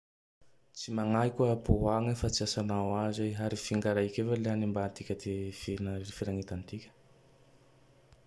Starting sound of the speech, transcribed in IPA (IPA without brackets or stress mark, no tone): t͡s